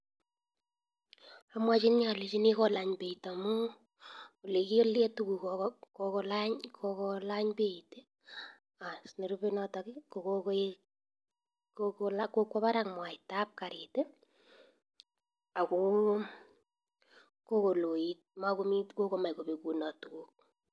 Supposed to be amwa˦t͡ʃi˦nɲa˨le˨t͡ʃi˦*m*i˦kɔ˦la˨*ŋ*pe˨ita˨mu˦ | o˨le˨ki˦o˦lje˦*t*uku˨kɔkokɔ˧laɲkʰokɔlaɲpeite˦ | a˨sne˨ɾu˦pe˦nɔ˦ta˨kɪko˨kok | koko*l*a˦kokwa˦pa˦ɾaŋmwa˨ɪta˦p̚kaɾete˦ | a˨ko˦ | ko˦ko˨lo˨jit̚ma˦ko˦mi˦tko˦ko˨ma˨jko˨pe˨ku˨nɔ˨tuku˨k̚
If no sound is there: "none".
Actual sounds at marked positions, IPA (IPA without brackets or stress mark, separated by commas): n, ɲ, t, l